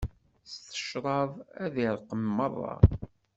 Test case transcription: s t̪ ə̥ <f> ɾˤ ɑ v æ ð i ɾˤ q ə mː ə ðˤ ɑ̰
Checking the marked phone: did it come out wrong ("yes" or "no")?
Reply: yes